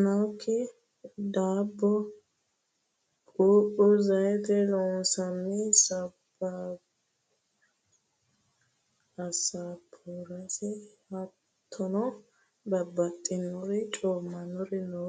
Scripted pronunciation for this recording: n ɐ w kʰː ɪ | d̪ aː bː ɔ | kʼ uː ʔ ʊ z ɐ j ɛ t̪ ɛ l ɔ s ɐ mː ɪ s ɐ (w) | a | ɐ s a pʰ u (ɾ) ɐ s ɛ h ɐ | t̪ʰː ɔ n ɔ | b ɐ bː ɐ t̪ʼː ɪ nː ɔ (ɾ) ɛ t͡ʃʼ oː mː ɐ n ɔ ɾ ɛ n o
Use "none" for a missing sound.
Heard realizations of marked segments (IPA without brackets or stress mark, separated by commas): b, ɾ, ɾ